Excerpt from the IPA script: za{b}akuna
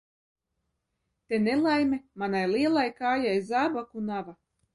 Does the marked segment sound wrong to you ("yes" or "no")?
no